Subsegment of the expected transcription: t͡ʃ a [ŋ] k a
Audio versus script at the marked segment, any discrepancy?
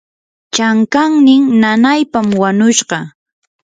no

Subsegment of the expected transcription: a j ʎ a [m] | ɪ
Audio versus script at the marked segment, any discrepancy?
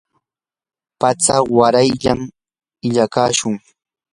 no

